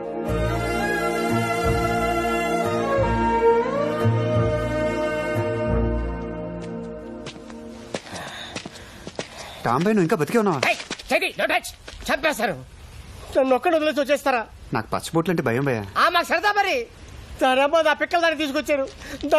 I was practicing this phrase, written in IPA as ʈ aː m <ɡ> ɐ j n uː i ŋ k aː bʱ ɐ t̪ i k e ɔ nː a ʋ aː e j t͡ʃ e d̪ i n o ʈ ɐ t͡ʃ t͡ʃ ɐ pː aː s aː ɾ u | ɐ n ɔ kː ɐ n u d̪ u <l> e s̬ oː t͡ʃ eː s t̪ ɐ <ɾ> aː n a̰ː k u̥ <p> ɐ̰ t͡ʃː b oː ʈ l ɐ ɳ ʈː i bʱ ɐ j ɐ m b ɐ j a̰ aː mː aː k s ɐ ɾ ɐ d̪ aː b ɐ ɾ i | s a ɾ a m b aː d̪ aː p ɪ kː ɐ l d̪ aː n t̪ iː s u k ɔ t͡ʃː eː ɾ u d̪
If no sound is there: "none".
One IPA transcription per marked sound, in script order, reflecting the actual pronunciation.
b, l, ɾ, p

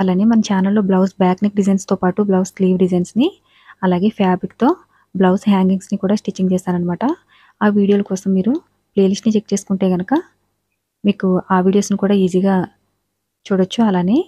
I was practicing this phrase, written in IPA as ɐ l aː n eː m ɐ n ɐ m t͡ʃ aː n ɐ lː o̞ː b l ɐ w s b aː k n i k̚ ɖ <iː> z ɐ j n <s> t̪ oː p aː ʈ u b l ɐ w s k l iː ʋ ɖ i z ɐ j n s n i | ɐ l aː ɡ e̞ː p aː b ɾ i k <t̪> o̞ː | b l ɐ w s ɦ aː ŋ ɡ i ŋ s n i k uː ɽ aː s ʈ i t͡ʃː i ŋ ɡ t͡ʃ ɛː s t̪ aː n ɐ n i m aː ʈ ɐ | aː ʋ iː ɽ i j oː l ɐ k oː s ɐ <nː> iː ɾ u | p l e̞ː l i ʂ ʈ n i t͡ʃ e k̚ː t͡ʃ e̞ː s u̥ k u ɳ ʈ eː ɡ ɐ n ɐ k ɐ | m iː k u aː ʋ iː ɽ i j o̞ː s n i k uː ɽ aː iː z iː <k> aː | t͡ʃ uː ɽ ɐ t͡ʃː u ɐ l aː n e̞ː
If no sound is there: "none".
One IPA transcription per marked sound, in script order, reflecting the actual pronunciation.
i, s, t̪, mː, ɡ

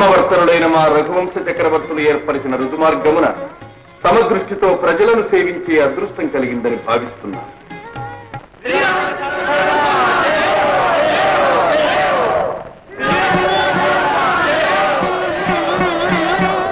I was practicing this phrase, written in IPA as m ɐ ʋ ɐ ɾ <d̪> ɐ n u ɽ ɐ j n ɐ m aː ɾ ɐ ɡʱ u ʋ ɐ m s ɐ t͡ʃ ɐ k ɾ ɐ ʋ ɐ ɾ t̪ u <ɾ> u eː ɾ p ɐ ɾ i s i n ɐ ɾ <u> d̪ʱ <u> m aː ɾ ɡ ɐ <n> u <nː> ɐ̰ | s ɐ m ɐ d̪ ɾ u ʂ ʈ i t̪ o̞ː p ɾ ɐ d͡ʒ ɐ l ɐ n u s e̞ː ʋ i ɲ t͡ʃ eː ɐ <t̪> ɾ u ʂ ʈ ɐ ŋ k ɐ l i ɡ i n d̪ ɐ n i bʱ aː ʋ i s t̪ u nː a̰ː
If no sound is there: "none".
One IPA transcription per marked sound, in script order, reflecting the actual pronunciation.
t̪, l, u, u, m, n, d̪

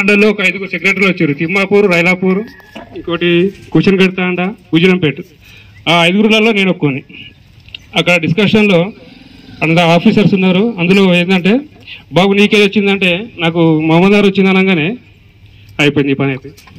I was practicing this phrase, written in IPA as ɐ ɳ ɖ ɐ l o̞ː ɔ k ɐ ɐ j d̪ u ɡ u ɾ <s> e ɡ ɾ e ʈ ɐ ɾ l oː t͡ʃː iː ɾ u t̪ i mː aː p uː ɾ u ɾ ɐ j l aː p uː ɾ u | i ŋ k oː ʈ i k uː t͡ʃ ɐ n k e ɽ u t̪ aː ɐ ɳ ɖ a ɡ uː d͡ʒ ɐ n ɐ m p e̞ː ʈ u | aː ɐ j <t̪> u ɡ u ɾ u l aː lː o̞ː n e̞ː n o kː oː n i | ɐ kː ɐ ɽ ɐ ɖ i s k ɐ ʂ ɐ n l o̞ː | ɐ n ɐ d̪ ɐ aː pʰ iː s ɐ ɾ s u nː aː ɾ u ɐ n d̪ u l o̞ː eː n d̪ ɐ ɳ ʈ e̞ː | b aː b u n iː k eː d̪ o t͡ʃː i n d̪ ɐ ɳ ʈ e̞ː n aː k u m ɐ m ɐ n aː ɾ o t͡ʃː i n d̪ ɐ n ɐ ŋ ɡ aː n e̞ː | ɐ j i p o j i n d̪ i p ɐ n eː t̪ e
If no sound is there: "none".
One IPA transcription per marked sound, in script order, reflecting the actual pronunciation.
s, d̪

